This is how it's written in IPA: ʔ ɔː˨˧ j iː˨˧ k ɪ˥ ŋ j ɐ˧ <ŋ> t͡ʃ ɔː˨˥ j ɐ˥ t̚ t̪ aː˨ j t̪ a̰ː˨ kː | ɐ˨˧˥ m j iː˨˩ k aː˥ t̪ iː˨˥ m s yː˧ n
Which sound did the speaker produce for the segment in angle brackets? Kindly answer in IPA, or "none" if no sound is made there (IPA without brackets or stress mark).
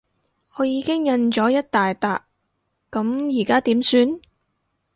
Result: n